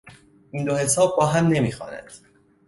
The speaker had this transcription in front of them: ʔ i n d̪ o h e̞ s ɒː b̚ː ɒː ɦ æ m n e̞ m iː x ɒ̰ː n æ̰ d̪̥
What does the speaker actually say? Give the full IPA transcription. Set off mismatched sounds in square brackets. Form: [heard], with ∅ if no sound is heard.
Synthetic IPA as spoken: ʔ i n d̪ o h e̞ s ɒː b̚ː ɒː ɦ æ m n e̞ m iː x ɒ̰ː n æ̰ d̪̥